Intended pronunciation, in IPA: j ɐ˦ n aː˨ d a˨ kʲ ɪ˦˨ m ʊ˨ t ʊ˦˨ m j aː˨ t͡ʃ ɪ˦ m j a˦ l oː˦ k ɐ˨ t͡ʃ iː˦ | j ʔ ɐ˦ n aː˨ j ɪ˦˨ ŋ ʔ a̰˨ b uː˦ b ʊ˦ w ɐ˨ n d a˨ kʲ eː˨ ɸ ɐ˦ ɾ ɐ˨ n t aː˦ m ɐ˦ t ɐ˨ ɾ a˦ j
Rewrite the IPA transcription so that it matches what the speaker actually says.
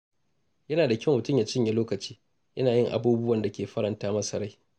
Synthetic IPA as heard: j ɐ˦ n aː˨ d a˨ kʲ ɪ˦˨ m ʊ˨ t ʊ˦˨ m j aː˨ t͡ʃ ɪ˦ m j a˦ l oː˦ k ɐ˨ t͡ʃ iː˦ | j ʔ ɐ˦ n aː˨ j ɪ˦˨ ŋ ʔ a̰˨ b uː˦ b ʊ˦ w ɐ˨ n d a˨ kʲ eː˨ ɸ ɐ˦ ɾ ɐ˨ n t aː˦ m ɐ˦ s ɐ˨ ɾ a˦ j